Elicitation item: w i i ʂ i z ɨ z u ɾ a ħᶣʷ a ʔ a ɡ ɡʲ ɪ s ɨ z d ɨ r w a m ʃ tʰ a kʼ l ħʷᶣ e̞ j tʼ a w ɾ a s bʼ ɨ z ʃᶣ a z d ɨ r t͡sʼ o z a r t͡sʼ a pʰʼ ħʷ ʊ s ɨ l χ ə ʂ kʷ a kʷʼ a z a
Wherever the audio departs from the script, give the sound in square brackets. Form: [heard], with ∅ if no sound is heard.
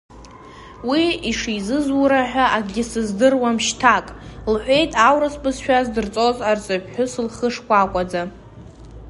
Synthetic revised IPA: w i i ʂ i z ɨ z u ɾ a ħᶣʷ a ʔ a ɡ ɡʲ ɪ s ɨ z d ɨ r w a m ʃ tʰ a kʼ l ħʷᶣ e̞ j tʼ a w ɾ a s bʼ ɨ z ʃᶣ a z d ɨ r t͡sʼ o z a r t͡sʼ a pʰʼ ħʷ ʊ s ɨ l χ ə ʂ kʷ a kʷʼ a [d͡z] a